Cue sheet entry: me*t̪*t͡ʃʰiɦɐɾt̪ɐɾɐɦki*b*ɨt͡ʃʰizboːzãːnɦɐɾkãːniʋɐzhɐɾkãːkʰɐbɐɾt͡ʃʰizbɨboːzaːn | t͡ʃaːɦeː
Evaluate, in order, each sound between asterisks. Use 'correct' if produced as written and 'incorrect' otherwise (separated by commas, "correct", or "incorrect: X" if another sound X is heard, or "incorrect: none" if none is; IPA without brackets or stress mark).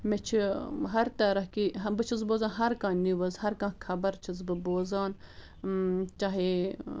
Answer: incorrect: none, correct